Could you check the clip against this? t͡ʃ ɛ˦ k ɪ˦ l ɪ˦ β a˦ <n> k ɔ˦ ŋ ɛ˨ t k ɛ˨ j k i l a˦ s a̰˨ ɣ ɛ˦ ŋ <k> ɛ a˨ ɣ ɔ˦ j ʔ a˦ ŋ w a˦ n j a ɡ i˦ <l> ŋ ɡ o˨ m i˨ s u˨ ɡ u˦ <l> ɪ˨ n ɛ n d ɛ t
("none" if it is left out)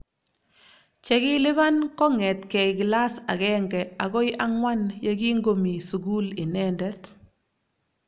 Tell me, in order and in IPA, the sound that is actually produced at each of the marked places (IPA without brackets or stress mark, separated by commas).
n, ɡ, none, l